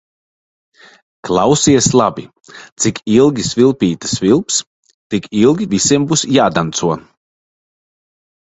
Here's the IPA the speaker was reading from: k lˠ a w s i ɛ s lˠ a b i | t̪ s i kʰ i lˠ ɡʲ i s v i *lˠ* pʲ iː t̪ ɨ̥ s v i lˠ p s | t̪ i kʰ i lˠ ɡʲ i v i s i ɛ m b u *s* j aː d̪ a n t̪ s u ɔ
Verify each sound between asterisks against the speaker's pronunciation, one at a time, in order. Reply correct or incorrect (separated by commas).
correct, correct